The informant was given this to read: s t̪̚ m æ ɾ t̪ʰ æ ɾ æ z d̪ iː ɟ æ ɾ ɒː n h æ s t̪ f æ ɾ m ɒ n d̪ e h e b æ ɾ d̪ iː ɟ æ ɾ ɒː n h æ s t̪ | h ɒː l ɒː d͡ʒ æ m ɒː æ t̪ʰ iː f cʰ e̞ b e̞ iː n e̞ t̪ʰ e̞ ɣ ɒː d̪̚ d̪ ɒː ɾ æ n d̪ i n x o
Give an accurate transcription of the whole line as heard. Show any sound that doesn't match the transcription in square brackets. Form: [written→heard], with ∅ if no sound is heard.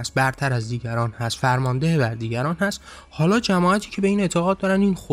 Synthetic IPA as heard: s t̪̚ [m→b] æ ɾ t̪ʰ æ ɾ æ z d̪ iː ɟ æ ɾ ɒː n h æ s t̪ f æ ɾ m ɒ n d̪ e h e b æ ɾ d̪ iː ɟ æ ɾ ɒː n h æ s t̪ | h ɒː l ɒː d͡ʒ æ m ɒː æ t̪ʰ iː [f→∅] cʰ e̞ b e̞ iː n e̞ t̪ʰ e̞ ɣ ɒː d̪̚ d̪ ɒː ɾ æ n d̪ i n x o